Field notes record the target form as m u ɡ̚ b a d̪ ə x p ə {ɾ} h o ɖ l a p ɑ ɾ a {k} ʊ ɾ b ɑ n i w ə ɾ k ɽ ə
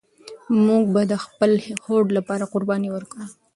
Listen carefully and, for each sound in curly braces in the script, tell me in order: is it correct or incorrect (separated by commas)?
incorrect, incorrect